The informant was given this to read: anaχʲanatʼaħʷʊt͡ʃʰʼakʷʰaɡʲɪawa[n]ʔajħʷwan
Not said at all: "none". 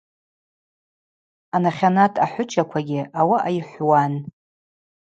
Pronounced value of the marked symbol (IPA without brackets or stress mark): none